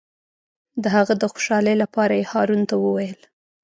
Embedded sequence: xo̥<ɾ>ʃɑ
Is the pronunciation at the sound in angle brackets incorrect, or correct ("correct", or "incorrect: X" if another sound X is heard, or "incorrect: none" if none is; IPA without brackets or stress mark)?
incorrect: none